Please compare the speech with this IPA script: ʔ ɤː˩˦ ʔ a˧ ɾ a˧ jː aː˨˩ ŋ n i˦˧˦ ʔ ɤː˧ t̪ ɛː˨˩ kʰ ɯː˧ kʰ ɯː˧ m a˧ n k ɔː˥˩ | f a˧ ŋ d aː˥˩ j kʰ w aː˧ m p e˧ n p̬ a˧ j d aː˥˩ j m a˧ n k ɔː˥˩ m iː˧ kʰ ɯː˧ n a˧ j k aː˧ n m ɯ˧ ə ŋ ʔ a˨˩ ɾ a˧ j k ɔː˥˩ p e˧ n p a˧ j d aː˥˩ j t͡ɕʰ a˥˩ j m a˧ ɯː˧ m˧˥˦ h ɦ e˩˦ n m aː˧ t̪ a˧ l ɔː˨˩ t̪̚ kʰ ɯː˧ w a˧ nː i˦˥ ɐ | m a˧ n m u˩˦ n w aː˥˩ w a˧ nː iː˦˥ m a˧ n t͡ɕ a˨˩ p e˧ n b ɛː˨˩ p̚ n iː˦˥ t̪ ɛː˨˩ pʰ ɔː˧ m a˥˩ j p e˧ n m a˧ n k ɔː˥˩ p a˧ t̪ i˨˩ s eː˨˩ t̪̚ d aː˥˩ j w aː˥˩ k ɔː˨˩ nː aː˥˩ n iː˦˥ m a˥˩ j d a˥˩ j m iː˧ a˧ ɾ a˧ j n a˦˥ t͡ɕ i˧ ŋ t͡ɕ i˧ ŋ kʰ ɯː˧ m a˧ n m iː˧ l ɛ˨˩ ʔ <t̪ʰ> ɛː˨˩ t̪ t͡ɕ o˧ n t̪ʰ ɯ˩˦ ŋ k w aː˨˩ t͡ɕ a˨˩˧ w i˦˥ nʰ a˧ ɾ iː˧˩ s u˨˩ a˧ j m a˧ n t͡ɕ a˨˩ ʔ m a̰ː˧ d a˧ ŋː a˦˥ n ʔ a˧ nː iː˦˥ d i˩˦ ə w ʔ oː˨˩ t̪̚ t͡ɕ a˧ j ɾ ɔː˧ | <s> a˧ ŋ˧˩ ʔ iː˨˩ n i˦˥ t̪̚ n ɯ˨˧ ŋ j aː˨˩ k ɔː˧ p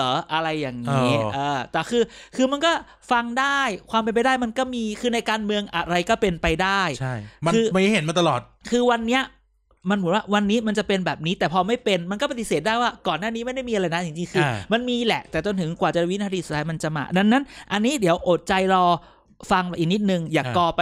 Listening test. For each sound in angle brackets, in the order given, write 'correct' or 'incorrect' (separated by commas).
incorrect, incorrect